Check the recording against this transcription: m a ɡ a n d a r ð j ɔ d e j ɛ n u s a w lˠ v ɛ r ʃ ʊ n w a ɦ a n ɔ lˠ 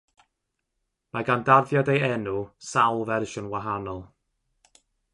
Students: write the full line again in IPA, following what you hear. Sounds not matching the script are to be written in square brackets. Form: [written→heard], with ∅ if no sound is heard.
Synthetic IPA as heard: m a ɡ a n d a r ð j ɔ d e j ɛ n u s a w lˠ v ɛ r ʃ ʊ n w a ɦ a n ɔ lˠ